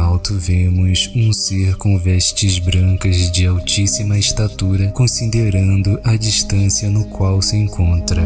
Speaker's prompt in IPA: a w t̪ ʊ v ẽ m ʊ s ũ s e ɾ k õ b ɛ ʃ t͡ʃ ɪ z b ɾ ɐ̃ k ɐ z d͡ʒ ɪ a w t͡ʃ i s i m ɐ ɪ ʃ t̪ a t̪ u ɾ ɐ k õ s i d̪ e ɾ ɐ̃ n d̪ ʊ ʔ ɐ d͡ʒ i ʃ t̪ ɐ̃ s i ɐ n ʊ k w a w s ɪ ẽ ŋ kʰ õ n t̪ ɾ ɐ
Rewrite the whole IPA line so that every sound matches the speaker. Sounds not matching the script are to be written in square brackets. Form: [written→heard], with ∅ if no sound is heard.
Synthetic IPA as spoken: a w t̪ ʊ v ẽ m ʊ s ũ s e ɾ k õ [b→v] ɛ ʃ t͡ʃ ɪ z b ɾ ɐ̃ k ɐ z d͡ʒ ɪ a w t͡ʃ i s i m ɐ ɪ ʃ t̪ a t̪ u ɾ ɐ k õ s i d̪ e ɾ ɐ̃ n d̪ ʊ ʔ ɐ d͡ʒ i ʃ t̪ ɐ̃ s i ɐ n ʊ k w a w s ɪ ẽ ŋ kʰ õ n t̪ ɾ ɐ

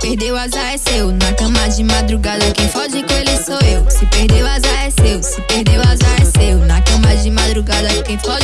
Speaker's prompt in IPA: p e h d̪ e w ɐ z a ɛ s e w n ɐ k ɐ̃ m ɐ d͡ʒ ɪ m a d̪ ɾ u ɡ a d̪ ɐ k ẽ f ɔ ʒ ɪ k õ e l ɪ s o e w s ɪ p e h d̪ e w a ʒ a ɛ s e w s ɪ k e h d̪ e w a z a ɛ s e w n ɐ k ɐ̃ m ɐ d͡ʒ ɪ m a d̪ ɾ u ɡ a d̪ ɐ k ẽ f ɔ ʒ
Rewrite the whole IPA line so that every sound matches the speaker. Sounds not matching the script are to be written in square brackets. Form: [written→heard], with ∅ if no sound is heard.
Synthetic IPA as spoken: p e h d̪ e w [ɐ→a] z a ɛ s e w n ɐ k ɐ̃ m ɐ d͡ʒ ɪ m a d̪ ɾ u ɡ a d̪ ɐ k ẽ f ɔ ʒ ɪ k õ e l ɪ s o e w s ɪ p e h d̪ e w a [ʒ→z] a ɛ s e w s ɪ [k→p] e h d̪ e w a z a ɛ s e w n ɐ k ɐ̃ m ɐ d͡ʒ ɪ m a d̪ ɾ u ɡ a d̪ ɐ k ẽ f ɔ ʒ

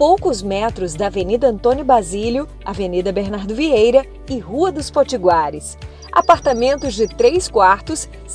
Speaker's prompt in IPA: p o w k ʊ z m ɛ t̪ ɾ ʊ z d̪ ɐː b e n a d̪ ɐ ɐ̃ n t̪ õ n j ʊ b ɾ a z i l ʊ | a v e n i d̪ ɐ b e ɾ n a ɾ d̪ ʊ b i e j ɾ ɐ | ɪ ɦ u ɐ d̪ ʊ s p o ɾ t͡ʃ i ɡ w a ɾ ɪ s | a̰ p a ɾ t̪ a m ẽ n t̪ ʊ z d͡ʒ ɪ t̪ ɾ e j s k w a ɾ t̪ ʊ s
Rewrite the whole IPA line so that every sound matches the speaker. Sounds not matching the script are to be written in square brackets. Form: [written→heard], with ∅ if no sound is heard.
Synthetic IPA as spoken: p o w k ʊ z m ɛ t̪ ɾ ʊ z d̪ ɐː [b→v] e n [a→i] d̪ ɐ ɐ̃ n t̪ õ n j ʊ b ɾ a z i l ʊ | a v e n i d̪ ɐ b e ɾ n a ɾ d̪ ʊ [b→v] i e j ɾ ɐ | ɪ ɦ u ɐ d̪ ʊ s p o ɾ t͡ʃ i ɡ w a ɾ ɪ s | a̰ p a ɾ t̪ a m ẽ n t̪ ʊ z d͡ʒ ɪ t̪ ɾ e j s k w a ɾ t̪ ʊ s

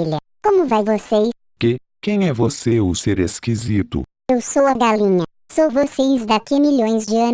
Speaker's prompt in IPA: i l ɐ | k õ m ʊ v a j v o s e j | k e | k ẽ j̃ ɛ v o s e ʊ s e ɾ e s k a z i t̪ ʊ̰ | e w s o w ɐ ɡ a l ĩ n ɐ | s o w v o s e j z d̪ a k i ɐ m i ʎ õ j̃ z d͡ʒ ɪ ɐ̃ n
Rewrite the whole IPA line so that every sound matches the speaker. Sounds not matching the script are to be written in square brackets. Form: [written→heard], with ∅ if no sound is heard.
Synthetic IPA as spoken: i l ɐ | k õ m ʊ v a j v o s e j | k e | k ẽ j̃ ɛ v o s e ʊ s e ɾ e s k [a→i] z i t̪ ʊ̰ | e w s o w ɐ ɡ a l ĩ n ɐ | s o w v o s e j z d̪ a k i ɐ m i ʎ õ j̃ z d͡ʒ ɪ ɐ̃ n

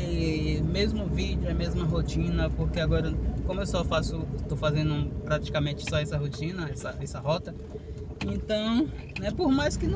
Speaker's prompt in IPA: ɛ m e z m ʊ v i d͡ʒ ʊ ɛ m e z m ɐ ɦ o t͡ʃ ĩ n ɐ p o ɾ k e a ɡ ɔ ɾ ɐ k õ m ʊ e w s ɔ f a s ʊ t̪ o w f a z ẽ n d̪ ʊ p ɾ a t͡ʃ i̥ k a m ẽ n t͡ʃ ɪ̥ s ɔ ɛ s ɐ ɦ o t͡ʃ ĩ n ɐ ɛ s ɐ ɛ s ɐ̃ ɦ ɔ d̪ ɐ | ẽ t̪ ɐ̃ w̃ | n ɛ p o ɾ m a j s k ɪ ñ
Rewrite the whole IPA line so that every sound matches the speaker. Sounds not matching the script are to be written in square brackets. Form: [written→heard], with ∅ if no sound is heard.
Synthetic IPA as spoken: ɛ m e z m ʊ v i d͡ʒ ʊ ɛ m e z m ɐ ɦ o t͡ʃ ĩ n ɐ p o ɾ k e a ɡ ɔ ɾ ɐ k õ m ʊ e w s ɔ f a s ʊ t̪ o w f a z ẽ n d̪ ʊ p ɾ a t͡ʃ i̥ k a m ẽ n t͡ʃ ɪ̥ s ɔ ɛ s ɐ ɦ o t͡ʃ ĩ n ɐ ɛ s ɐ ɛ s [ɐ̃→ɐ] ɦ ɔ [d̪→t̪] ɐ | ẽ t̪ ɐ̃ w̃ | n ɛ p o ɾ m a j s k ɪ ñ

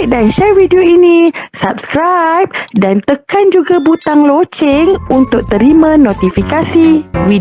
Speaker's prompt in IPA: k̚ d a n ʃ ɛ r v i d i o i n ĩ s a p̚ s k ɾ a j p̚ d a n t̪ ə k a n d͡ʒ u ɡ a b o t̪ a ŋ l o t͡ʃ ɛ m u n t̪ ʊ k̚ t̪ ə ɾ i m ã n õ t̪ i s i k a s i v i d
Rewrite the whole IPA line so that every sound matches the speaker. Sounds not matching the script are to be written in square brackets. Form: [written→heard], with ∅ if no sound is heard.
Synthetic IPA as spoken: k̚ d a n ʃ ɛ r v i d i o i n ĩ s a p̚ s k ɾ a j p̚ d a n t̪ ə k a n d͡ʒ u ɡ a b [o→u] t̪ a ŋ l o t͡ʃ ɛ [m→ŋ] u n t̪ ʊ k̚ t̪ ə ɾ i m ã n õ t̪ i [s→f] i k a s i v i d

